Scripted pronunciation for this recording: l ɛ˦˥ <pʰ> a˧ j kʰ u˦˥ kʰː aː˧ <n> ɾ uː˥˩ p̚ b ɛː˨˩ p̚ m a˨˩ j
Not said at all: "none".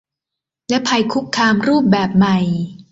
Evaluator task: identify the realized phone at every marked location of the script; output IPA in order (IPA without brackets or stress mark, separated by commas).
pʰ, m